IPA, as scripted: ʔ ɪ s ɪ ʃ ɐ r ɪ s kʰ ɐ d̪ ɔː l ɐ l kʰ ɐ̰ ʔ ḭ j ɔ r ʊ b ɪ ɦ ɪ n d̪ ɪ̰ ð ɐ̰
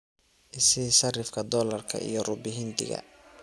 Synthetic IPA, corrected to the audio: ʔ ɪ s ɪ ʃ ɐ r ɪ f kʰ ɐ d̪ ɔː l ɐ r kʰ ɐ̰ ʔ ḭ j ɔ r ʊ b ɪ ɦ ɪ n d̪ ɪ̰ ɣ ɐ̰